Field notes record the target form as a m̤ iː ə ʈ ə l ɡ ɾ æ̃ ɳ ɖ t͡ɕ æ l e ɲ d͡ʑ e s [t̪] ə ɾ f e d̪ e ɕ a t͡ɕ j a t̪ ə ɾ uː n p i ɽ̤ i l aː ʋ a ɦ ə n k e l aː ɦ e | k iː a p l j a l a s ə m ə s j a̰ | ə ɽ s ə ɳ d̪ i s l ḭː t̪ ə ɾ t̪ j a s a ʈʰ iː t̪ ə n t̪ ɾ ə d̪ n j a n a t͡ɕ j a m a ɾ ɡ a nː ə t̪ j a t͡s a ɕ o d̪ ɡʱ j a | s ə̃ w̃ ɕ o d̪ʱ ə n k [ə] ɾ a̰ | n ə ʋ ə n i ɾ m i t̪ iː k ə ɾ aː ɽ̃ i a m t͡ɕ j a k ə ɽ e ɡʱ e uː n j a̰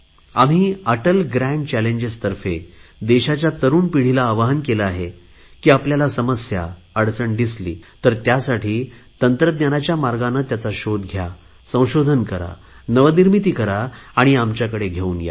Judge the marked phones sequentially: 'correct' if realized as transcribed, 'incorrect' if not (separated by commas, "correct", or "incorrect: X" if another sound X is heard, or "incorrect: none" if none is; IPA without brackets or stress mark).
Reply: correct, correct